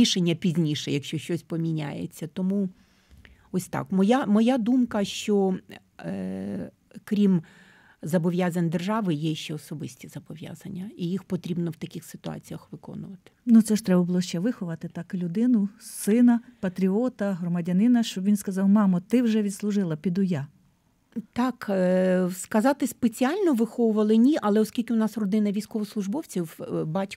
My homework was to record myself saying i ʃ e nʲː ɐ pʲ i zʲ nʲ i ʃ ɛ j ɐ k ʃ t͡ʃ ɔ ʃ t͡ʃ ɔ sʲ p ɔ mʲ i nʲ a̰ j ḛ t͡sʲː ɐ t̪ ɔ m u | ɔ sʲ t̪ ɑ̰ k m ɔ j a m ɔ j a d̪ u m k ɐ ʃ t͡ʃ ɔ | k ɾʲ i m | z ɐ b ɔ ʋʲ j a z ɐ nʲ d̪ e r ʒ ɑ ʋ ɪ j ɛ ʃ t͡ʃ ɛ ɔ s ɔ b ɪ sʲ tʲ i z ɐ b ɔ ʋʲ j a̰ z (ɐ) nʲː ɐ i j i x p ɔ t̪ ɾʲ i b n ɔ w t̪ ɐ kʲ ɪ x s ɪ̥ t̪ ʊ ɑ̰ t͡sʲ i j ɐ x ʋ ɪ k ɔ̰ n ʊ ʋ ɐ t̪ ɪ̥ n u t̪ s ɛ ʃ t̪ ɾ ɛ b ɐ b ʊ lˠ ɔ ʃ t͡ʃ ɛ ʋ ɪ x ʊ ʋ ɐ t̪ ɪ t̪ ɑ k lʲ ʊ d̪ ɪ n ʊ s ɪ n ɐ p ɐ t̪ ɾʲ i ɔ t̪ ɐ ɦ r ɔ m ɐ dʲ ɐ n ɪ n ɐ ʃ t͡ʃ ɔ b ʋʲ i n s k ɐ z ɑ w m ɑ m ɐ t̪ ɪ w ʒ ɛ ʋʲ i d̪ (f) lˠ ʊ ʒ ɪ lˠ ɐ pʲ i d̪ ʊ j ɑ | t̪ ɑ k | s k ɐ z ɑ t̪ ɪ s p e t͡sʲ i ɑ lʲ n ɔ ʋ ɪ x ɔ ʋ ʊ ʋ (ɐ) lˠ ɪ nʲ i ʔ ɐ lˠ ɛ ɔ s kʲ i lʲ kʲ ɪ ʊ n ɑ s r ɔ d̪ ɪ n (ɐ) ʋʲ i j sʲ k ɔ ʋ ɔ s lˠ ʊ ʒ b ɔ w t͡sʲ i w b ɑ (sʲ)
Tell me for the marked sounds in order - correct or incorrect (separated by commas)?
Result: correct, incorrect, correct, correct, incorrect